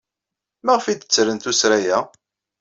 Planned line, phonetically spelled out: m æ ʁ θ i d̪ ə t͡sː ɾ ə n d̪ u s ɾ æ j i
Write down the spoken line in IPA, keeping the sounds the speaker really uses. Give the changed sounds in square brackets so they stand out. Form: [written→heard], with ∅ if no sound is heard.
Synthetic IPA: m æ ʁ [θ→f] i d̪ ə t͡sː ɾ ə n [d̪→t̪] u s ɾ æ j [i→æ]